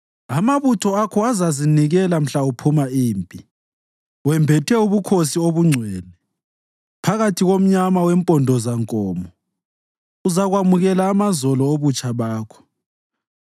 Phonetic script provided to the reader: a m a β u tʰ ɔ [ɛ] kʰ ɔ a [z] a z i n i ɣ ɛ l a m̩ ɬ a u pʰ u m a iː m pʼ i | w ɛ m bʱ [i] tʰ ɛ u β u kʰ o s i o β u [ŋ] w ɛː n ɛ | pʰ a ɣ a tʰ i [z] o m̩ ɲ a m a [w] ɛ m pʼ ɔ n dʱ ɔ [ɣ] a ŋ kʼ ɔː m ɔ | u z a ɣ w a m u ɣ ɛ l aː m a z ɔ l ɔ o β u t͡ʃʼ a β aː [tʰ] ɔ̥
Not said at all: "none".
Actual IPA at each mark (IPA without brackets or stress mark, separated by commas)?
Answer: a, z, ɛ, ŋ͡ǀʱ, ɣ, w, z, kʰ